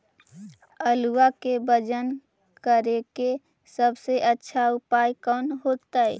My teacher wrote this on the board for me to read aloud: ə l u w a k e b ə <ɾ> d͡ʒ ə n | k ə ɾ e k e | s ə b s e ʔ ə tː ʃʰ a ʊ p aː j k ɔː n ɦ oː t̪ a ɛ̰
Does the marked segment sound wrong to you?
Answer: yes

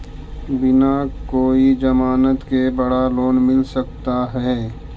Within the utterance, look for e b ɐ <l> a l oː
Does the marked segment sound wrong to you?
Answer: yes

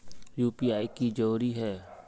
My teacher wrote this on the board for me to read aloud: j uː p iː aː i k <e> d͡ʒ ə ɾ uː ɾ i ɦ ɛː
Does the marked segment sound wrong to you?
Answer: yes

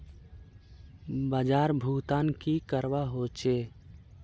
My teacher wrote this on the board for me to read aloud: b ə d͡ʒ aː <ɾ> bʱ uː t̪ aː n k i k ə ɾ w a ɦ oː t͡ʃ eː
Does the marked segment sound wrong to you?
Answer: no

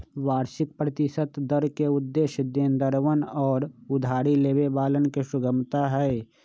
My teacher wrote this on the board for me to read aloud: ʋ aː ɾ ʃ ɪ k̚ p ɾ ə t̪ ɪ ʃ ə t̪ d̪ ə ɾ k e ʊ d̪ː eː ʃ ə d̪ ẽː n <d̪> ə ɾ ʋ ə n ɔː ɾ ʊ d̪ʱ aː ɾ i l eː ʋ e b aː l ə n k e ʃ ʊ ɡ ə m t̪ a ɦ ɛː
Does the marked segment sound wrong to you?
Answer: no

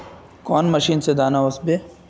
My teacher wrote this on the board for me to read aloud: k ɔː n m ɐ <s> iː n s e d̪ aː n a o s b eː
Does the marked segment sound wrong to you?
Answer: yes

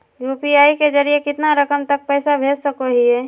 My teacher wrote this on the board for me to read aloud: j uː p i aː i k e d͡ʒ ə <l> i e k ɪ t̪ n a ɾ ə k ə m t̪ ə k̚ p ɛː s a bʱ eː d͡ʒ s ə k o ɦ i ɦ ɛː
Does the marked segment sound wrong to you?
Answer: yes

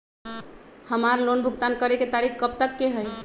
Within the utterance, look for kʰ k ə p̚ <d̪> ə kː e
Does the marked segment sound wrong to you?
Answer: yes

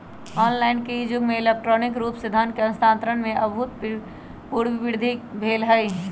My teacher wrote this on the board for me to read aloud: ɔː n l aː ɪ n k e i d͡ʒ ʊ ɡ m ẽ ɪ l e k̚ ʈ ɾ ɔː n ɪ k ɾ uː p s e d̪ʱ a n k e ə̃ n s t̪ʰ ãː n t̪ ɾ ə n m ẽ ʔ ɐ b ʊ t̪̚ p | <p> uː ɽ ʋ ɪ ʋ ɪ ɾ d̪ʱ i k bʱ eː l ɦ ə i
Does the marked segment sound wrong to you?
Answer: no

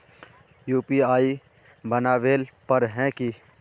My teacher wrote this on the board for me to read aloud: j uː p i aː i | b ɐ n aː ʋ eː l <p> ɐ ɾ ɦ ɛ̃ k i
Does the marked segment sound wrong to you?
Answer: no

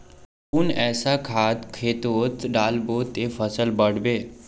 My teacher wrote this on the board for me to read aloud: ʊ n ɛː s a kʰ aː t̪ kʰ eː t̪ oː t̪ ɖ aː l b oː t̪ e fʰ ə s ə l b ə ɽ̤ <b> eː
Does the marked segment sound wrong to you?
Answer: no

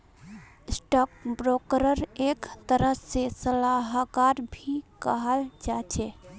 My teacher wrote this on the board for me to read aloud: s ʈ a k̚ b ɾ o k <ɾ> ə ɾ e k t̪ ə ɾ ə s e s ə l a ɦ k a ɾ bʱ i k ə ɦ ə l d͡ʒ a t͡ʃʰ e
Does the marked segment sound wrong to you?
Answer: no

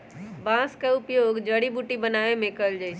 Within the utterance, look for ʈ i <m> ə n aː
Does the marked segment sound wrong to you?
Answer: yes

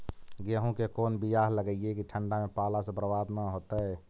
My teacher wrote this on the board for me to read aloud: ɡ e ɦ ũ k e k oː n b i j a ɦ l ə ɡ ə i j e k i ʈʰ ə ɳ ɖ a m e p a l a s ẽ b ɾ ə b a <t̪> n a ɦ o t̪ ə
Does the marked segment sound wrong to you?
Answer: yes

